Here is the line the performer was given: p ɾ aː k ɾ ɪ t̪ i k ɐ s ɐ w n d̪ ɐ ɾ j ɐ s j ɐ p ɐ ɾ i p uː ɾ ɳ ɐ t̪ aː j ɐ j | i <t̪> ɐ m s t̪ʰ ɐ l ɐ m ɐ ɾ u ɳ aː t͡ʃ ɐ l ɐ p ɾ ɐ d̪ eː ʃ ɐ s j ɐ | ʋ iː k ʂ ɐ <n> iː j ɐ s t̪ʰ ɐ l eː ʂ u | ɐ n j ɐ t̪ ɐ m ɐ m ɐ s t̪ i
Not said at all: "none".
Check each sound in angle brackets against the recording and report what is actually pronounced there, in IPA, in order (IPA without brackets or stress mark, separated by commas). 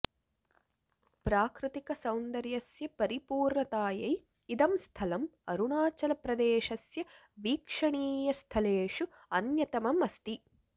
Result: d̪, ɳ